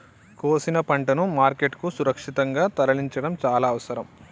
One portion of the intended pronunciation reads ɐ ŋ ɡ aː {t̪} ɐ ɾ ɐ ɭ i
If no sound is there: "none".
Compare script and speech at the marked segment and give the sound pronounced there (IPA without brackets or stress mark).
t̪